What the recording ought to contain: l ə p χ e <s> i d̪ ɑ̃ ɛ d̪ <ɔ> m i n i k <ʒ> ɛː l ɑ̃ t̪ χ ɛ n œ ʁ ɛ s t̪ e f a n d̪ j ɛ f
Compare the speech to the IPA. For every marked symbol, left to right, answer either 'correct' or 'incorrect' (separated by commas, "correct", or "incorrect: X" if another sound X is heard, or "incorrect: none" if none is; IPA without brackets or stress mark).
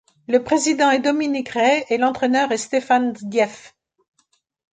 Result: incorrect: z, correct, incorrect: ʁ